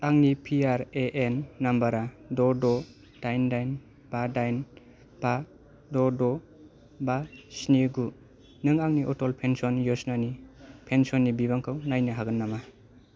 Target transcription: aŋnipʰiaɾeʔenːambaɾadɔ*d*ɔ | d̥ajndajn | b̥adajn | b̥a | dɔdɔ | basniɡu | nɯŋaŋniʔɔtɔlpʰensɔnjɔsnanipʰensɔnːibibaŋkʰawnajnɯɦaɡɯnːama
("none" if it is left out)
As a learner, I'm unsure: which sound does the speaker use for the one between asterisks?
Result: d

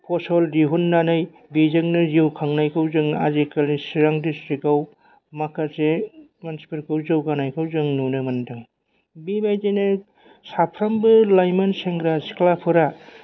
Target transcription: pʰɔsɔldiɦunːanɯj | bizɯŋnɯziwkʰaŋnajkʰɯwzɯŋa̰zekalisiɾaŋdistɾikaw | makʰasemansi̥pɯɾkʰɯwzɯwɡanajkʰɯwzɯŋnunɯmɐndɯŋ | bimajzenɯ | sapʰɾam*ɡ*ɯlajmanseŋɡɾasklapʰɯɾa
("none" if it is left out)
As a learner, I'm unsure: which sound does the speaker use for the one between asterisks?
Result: b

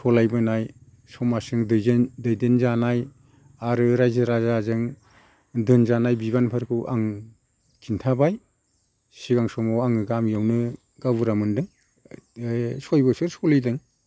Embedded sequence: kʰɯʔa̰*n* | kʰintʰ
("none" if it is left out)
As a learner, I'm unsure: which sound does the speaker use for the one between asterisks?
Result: ŋ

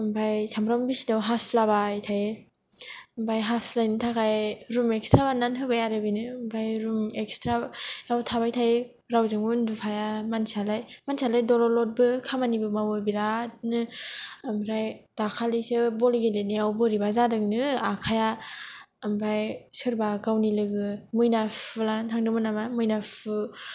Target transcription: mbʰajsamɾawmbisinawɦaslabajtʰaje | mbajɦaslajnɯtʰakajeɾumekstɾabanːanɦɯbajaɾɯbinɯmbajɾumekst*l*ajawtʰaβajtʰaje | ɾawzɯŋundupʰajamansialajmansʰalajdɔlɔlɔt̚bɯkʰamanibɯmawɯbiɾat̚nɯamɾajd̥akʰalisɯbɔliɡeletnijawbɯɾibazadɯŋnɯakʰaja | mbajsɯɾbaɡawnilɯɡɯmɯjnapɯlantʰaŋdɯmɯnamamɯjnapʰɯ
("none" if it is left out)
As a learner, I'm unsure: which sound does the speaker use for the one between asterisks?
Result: ɾ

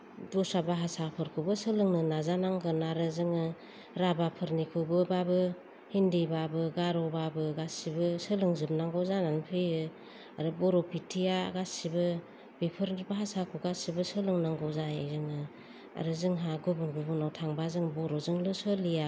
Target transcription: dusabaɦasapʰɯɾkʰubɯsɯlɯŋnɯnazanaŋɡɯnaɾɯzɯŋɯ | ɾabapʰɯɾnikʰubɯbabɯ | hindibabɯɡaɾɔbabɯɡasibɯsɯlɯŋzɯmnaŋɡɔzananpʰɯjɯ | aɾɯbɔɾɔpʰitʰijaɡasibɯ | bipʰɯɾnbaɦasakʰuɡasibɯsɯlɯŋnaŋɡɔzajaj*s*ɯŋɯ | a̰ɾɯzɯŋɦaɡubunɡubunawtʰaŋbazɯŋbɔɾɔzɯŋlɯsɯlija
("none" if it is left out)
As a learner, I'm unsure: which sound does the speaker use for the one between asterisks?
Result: z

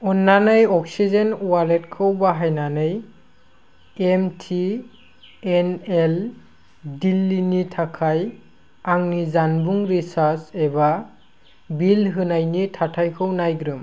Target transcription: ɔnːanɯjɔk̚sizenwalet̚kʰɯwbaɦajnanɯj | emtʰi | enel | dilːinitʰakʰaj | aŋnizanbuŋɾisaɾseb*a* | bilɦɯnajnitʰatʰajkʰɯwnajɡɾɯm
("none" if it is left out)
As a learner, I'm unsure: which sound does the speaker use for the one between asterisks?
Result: a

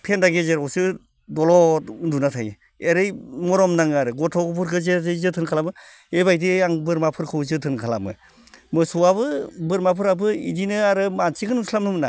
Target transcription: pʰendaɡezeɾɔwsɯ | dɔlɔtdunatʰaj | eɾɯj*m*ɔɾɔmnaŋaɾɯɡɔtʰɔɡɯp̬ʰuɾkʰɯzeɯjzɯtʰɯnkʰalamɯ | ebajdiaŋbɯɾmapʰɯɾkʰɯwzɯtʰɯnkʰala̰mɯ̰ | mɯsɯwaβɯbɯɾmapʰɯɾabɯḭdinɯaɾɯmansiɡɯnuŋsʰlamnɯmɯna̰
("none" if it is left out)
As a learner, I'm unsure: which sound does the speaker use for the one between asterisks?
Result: m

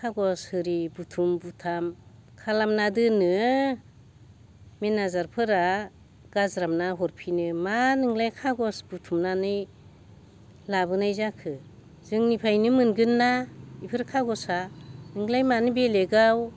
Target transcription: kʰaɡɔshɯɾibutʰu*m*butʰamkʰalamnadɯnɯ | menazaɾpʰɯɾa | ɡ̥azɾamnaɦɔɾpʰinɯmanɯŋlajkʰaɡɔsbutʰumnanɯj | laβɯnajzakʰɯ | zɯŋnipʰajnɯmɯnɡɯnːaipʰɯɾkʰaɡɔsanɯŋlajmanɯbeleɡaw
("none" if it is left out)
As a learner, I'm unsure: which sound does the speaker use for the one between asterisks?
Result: m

